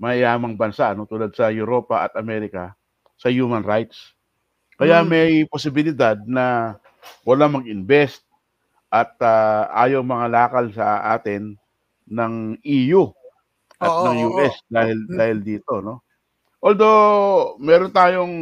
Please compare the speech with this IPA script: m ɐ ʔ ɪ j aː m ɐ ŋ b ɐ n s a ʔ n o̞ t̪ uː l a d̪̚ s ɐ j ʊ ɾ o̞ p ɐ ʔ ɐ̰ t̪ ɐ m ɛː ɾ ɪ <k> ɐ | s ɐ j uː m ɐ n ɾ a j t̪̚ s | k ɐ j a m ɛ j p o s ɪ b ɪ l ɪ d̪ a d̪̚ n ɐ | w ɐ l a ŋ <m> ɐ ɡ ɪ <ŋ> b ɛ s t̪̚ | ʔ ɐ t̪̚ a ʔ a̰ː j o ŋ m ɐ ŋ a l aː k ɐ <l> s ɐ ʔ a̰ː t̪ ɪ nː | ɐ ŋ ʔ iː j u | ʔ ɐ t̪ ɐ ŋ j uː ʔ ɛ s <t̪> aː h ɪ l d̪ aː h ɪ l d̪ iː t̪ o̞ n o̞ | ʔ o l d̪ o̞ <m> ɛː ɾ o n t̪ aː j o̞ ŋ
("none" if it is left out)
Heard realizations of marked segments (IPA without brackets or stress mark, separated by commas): k, m, n, l, d̪, m